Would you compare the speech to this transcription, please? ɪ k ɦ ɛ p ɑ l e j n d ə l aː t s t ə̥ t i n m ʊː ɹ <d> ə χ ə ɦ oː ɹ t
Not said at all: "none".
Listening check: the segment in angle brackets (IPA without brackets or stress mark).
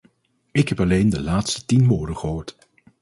d